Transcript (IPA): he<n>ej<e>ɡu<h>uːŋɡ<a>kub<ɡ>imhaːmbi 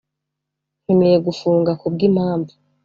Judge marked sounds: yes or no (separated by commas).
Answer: no, yes, no, yes, yes